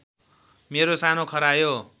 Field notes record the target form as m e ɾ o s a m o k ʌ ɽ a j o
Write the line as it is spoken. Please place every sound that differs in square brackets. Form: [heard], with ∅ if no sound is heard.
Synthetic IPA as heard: m e ɾ o s a [n] o [kʰ] ʌ [ɾ] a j o